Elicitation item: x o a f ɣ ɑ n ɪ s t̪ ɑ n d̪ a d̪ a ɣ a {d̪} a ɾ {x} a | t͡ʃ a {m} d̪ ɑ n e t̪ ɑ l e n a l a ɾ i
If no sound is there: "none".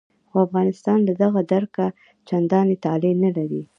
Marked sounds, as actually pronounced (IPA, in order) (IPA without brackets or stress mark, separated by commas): d̪, k, n